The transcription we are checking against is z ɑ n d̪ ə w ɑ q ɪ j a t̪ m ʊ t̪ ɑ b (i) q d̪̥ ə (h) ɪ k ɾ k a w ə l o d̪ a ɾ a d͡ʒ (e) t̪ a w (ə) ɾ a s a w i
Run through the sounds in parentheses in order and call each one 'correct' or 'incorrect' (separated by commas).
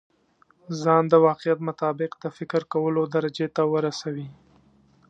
incorrect, incorrect, correct, correct